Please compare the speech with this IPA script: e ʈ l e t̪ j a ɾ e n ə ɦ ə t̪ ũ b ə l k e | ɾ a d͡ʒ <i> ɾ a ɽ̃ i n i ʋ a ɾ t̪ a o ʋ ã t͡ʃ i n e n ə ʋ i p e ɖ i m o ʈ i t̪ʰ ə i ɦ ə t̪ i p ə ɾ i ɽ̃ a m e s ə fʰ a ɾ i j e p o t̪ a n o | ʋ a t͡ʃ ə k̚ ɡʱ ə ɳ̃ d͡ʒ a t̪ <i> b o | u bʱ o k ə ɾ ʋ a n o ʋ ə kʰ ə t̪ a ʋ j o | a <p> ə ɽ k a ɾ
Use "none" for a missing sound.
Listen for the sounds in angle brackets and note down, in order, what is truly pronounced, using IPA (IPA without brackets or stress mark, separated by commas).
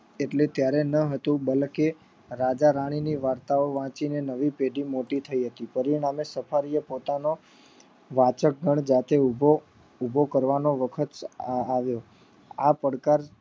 a, e, p